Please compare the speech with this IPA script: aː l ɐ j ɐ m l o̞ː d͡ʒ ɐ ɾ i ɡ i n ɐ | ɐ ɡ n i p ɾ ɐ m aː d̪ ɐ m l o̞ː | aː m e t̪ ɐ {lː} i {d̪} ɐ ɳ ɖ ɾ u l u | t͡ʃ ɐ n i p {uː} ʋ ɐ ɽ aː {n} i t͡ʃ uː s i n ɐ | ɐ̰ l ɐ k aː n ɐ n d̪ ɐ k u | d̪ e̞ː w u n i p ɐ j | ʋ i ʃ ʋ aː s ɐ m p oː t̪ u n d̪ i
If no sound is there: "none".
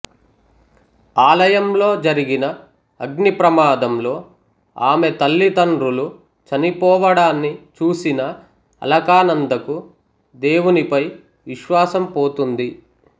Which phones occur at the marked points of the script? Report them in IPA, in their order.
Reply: lː, t̪, ɔː, nː

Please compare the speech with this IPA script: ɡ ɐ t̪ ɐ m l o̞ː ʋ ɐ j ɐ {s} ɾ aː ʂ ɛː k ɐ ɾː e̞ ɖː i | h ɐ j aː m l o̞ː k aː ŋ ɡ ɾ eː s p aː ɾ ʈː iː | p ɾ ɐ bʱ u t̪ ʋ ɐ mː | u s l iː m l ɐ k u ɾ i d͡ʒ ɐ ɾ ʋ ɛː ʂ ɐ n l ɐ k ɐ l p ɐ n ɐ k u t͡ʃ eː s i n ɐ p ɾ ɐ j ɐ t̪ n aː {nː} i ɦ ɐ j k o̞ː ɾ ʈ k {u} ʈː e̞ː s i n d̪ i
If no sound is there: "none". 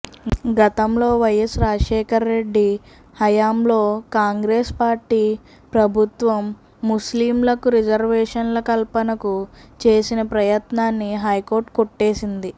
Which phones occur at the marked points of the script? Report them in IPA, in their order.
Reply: s, nː, o

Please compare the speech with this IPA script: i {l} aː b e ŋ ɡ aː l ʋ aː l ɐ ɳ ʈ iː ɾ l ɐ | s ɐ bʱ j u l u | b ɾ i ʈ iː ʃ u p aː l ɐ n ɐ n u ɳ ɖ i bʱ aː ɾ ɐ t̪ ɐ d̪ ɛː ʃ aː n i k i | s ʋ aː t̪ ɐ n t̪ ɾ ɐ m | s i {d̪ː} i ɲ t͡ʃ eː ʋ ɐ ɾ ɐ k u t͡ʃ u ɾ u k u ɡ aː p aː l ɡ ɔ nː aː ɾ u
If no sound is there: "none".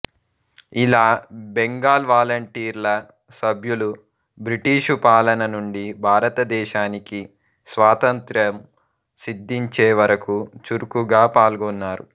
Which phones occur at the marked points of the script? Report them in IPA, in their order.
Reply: l, d̪ː

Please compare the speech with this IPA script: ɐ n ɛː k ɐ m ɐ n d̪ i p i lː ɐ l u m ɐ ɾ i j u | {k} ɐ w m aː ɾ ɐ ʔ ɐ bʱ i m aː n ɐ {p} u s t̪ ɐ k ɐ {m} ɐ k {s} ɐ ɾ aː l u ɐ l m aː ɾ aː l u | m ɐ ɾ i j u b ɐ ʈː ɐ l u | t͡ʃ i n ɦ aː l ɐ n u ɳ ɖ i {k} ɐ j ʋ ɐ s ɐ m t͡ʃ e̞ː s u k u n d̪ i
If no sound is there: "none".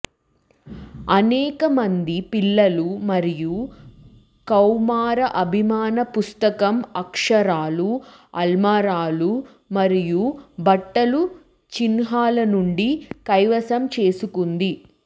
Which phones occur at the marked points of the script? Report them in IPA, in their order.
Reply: k, p, m, ʂ, k

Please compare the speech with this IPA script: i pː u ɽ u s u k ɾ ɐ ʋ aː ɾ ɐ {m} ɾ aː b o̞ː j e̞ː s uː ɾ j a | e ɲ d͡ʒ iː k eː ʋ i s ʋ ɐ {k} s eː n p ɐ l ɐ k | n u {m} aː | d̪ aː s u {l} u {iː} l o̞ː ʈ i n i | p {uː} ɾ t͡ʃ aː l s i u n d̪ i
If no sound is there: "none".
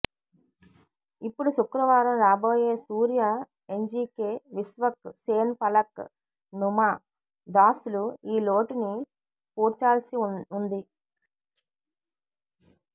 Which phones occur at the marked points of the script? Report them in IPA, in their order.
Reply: m, k, m, l, iː, uː

